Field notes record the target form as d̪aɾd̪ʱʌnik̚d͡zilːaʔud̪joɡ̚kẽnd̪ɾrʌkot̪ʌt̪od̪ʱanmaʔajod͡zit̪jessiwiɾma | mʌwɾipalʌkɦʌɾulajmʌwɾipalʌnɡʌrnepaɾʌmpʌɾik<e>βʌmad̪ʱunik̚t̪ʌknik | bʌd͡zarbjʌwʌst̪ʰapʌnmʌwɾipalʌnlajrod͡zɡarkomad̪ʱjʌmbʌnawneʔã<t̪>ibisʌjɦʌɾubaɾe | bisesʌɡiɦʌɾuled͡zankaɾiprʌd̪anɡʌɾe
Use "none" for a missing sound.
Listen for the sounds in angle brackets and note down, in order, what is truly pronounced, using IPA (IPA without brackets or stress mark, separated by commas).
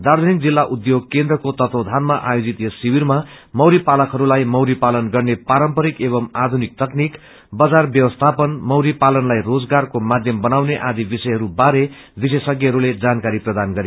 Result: e, d̪